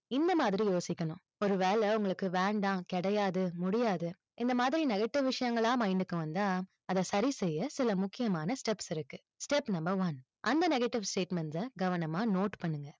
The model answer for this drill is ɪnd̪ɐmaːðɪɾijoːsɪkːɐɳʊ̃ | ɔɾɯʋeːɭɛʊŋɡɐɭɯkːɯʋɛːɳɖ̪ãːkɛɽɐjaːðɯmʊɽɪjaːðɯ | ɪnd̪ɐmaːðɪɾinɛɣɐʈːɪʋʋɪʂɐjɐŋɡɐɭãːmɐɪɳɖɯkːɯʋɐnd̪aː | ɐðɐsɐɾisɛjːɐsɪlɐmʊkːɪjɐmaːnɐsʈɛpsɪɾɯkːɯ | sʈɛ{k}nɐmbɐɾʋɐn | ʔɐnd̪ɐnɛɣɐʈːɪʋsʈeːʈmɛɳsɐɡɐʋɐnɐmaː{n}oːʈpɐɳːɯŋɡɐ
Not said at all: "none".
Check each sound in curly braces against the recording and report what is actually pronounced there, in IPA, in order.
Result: p, n

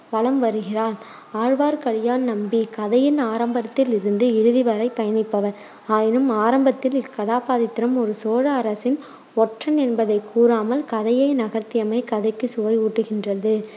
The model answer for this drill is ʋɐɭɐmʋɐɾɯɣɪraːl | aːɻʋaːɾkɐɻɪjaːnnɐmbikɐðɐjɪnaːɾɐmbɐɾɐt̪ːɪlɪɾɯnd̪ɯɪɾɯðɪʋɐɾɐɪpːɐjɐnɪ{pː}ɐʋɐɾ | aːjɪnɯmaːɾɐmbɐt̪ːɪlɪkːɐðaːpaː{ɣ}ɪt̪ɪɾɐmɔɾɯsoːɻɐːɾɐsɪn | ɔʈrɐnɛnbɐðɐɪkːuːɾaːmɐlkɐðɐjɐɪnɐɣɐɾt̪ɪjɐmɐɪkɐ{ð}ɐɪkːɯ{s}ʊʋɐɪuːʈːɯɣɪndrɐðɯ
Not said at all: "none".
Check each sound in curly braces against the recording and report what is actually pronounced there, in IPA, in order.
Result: pː, ð, ð, s

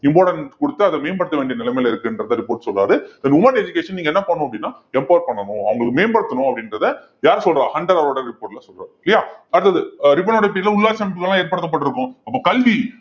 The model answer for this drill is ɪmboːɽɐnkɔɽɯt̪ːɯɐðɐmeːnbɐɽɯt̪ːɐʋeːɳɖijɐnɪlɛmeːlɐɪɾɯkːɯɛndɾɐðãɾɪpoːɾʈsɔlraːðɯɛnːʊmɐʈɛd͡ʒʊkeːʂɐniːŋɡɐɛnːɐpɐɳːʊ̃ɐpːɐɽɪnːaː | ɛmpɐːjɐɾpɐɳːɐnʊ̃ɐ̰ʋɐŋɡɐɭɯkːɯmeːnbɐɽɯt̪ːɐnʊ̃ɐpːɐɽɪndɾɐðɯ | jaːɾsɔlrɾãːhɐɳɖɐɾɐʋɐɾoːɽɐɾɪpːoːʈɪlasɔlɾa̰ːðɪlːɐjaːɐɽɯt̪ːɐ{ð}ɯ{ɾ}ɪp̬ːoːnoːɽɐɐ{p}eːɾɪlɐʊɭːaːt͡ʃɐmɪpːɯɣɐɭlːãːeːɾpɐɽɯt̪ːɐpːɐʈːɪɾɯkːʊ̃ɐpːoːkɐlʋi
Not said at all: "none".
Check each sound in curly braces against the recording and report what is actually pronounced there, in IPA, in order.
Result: ð, ɾ, p

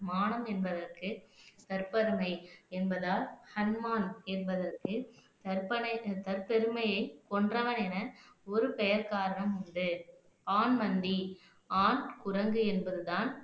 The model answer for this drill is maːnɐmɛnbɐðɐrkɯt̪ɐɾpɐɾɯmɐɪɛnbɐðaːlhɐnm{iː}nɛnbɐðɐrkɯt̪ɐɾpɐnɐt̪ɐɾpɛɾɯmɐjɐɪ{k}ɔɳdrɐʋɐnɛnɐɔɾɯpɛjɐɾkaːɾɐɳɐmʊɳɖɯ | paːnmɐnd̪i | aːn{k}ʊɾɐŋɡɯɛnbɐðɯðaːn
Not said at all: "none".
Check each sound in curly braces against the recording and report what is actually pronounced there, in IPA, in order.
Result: aː, k, k

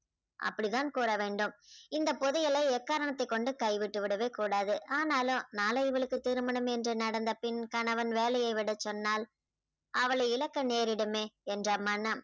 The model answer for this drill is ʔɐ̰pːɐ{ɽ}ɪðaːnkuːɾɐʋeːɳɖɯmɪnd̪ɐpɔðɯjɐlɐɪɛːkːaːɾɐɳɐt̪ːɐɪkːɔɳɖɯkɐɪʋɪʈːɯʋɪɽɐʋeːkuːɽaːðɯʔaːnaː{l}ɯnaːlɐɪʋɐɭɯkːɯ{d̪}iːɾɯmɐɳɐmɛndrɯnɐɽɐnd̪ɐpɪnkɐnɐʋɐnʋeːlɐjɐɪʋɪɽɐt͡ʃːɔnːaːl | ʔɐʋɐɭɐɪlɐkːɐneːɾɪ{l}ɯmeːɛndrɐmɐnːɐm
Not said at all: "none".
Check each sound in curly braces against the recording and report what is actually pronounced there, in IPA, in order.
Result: ɽ, l, t̪, ɽ

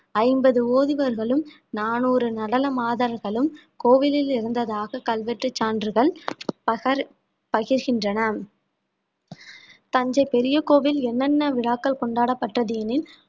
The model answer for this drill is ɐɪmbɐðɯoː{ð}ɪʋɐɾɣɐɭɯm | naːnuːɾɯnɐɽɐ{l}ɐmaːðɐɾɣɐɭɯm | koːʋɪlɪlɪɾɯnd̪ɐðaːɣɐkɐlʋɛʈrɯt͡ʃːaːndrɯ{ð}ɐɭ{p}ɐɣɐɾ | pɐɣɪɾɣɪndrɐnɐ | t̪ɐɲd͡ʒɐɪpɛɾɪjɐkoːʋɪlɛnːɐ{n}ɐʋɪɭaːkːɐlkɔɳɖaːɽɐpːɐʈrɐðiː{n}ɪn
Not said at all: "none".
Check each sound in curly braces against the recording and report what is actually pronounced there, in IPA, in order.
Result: ð, l, ɣ, p, nː, n

